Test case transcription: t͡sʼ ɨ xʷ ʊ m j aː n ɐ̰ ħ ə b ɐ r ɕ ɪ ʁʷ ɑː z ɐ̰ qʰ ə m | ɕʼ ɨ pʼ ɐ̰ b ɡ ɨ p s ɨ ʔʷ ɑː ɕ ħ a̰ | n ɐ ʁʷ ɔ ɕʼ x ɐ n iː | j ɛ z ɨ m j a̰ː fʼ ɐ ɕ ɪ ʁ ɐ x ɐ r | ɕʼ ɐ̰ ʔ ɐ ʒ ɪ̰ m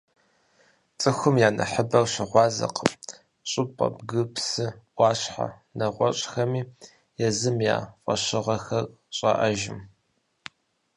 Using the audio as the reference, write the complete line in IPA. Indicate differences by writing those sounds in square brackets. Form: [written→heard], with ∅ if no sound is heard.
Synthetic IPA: t͡sʼ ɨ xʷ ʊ m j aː n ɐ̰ ħ ə b ɐ r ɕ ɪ ʁʷ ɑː z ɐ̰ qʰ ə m | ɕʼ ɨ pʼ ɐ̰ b ɡ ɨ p s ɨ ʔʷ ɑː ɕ ħ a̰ | n ɐ ʁʷ ɔ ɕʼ x ɐ [n→m] iː | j ɛ z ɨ m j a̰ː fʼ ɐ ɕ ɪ ʁ ɐ x ɐ r | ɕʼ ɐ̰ ʔ ɐ ʒ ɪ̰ m